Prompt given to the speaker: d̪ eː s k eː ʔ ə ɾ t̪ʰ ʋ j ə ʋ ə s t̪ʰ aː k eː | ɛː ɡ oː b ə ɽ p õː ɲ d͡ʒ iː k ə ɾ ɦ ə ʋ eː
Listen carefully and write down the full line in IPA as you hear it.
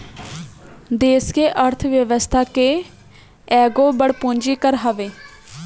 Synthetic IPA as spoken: d̪ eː s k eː ʔ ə ɾ t̪ʰ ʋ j ə ʋ ə s t̪ʰ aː k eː | ɛː ɡ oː b ə ɽ p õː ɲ d͡ʒ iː k ə ɾ ɦ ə ʋ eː